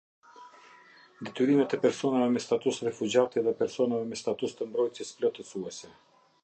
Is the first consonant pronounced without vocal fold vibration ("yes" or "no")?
no